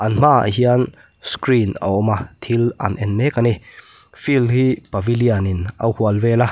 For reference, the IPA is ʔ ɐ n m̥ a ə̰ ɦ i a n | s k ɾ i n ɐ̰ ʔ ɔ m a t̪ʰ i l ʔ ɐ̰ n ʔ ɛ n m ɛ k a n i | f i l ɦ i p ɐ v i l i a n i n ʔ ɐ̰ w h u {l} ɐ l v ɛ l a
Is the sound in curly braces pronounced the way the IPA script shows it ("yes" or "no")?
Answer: no